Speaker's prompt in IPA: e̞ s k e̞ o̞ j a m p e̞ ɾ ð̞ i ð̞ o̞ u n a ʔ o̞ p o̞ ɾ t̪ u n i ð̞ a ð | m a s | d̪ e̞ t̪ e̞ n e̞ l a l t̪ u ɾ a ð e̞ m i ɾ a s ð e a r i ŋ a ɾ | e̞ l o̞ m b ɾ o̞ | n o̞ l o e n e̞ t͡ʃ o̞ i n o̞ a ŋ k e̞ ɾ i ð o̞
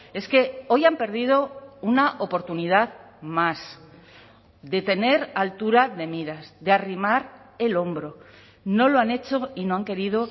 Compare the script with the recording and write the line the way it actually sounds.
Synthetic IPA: e̞ s k e̞ o̞ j a m p e̞ ɾ ð̞ i ð̞ o̞ u n a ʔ o̞ p o̞ ɾ t̪ u n i ð̞ a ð | m a s | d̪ e̞ t̪ e̞ n e̞ ɾ a l t̪ u ɾ a ð e̞ m i ɾ a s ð e a r i m a ɾ | e̞ l o̞ m b ɾ o̞ | n o̞ l o a n e̞ t͡ʃ o̞ i n o̞ a ŋ k e̞ ɾ i ð o̞

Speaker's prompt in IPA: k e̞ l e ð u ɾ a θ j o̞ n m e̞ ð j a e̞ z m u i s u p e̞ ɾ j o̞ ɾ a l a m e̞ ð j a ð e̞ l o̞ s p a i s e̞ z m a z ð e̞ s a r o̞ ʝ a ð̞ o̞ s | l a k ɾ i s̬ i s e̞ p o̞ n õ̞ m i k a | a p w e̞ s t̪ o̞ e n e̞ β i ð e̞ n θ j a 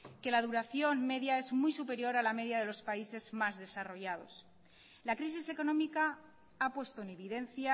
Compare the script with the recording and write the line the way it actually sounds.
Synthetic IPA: k e̞ l a ð u ɾ a θ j o̞ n m e̞ ð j a e̞ z m u j s u p e̞ ɾ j o̞ ɾ a l a m e̞ ð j a ð e̞ l o̞ s p a i s e̞ z m a z ð e̞ s a r o̞ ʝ a ð̞ o̞ s | l a k ɾ i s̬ i s e̞ k o̞ n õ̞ m i k a | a p w e̞ s t̪ o̞ e n e̞ β i ð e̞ n θ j a

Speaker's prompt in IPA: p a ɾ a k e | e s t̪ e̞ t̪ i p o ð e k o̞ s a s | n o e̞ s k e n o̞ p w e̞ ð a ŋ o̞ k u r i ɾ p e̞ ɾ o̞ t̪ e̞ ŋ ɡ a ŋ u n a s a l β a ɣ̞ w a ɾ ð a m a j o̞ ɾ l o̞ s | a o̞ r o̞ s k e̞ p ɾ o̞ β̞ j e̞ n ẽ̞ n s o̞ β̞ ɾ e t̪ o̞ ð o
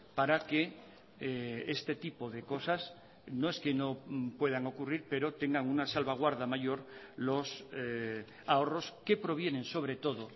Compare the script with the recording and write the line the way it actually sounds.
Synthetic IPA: p a ɾ a k e | e s t̪ e̞ t̪ i p o ð e k o̞ s a s | n o e̞ s k e n o̞ p w e̞ ð a ŋ o̞ k u r i ɾ p e̞ ɾ o̞ t̪ e̞ ŋ ɡ a ŋ u n a s a l β a ɣ̞ w a ɾ ð a m a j o̞ ɾ l o̞ s | a o̞ r o̞ s k e̞ p ɾ o̞ β̞ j e̞ n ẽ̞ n s o̞ β̞ ɾ e t̪ o̞ ð o

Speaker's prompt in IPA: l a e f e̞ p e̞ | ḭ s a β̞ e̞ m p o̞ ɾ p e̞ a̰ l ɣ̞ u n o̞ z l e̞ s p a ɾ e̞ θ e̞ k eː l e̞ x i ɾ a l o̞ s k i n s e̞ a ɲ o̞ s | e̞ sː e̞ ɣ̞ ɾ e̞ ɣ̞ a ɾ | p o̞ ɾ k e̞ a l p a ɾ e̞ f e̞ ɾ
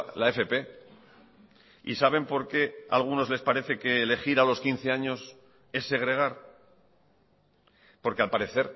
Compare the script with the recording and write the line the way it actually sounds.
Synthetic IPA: l a e f e̞ p e̞ | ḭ s a β̞ e̞ m p o̞ ɾ k e̞ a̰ l ɣ̞ u n o̞ z l e̞ s p a ɾ e̞ θ e̞ k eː l e̞ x i ɾ a l o̞ s k i n θ e̞ a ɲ o̞ s | e̞ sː e̞ ɣ̞ ɾ e̞ ɣ̞ a ɾ | p o̞ ɾ k e̞ a l p a ɾ e̞ θ e̞ ɾ

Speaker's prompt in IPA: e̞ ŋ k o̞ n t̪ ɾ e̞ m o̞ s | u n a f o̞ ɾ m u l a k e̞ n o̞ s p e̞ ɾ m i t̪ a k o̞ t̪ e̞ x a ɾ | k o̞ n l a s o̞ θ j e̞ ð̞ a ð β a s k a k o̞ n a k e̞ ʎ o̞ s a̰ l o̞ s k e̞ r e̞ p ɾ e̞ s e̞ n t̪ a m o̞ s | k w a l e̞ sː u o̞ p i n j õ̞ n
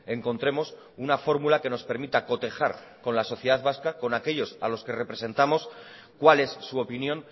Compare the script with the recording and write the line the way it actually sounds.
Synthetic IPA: e̞ ŋ k o̞ n t̪ ɾ e̞ m o̞ s | u n a f o̞ ɾ m u l a k e̞ n o̞ s p e̞ ɾ m i t̪ a k o̞ t̪ e̞ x a ɾ | k o̞ n l a s o̞ θ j e̞ ð̞ a ð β a s k a k o̞ n a k e̞ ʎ o̞ s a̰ l o̞ s k e̞ r e̞ p ɾ e̞ s e̞ n t̪ a m o̞ s | k w a l e̞ sː u o̞ p i n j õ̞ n

